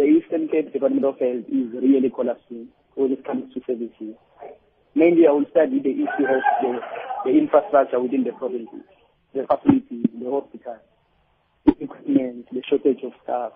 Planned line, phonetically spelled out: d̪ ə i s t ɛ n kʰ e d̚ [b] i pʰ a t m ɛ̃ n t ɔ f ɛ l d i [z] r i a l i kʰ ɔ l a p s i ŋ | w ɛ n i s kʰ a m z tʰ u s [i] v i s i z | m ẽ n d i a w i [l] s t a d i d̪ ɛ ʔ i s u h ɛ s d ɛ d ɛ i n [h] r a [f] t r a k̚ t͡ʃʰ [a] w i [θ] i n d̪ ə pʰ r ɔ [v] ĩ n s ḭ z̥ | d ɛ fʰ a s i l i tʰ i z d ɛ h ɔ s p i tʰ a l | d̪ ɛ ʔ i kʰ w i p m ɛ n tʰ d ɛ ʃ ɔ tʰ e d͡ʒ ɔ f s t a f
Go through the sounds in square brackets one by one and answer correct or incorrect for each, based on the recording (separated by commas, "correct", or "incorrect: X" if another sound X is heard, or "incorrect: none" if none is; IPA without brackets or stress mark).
incorrect: d, correct, incorrect: ɛ, correct, incorrect: f, incorrect: s, correct, correct, correct